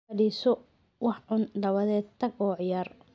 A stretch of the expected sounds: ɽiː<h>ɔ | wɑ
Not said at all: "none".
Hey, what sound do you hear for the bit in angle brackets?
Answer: s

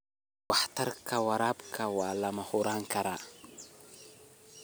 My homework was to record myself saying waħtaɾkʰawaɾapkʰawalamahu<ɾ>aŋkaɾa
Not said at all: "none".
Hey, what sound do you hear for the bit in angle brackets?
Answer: ɾ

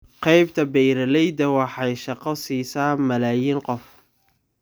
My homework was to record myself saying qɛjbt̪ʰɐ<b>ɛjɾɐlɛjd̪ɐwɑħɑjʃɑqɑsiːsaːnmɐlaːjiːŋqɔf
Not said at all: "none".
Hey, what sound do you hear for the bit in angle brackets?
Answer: b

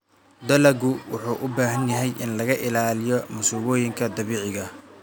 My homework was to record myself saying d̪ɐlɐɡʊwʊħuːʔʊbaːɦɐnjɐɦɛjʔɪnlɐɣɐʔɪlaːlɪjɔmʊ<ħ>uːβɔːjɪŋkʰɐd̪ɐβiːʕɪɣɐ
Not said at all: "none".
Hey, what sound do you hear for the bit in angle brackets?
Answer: s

